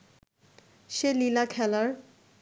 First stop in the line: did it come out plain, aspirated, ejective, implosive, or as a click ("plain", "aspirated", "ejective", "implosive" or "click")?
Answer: aspirated